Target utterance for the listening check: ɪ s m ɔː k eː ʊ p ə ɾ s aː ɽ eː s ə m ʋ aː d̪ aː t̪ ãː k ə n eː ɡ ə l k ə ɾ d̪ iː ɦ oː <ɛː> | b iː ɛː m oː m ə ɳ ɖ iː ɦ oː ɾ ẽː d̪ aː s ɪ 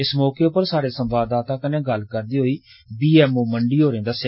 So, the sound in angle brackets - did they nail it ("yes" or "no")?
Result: no